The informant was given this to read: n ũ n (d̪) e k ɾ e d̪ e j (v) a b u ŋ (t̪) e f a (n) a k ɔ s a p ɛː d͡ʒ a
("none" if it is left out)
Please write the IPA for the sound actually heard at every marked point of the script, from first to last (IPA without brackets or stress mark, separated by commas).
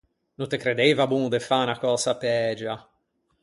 t̪, v, d̪, n